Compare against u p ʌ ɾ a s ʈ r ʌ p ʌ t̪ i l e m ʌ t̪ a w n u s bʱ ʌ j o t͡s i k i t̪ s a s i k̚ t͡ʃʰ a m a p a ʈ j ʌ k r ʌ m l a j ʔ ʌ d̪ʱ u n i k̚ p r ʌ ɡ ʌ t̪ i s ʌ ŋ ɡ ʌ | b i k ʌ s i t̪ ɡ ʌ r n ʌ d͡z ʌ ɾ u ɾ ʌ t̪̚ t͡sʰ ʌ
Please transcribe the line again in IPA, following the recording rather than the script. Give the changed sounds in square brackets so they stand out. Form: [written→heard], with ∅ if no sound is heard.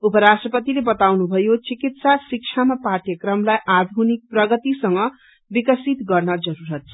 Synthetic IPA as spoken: u p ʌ ɾ a s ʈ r ʌ p ʌ t̪ i l e [m→b] ʌ t̪ a w n u [s→∅] bʱ ʌ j o t͡s i k i t̪ s a s i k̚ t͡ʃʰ a m a p a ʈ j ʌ k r ʌ m l a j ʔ [ʌ→a] d̪ʱ u n i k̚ p r ʌ ɡ ʌ t̪ i s ʌ ŋ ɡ ʌ | b i k ʌ s i t̪ ɡ ʌ r n ʌ d͡z ʌ ɾ u ɾ ʌ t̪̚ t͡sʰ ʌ